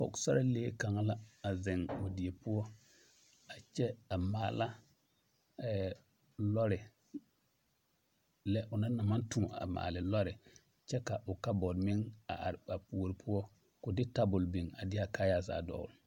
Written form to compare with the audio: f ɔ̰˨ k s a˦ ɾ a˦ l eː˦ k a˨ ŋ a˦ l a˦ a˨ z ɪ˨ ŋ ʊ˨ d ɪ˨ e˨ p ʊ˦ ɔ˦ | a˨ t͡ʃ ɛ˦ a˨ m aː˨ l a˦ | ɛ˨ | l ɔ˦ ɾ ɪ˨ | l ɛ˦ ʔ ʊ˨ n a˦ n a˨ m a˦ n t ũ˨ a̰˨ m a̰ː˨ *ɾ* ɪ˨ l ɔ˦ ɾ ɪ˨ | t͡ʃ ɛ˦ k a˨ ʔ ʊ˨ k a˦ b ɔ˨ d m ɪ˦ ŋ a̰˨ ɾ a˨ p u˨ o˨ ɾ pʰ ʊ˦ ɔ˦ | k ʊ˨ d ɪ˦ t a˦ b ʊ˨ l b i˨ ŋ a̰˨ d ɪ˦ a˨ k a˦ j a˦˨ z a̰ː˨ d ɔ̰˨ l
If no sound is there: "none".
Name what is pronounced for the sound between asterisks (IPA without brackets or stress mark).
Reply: l